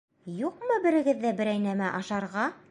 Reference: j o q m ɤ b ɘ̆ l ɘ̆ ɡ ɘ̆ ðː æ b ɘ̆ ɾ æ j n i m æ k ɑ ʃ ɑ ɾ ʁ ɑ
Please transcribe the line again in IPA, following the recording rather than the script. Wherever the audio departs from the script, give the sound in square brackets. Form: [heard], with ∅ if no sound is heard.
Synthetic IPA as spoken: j [u] q m ɤ b ɘ̆ [ɾ] ɘ̆ ɡ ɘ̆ ðː æ b ɘ̆ ɾ æ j n [æ] m æ [ʔ] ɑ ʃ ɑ ɾ ʁ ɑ